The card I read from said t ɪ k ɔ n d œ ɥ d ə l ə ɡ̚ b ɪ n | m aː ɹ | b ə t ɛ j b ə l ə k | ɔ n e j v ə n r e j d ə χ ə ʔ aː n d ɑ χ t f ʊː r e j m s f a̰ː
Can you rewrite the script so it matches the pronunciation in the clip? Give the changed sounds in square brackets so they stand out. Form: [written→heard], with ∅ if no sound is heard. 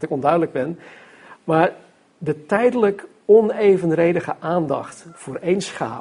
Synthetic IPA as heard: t ɪ k ɔ n d œ ɥ d ə l ə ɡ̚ b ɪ n | m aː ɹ | [b→d] ə t ɛ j [b→d] ə l ə k | ɔ n e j v ə n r e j d ə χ ə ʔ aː n d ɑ χ t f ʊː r e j [m→n] s [f→χ] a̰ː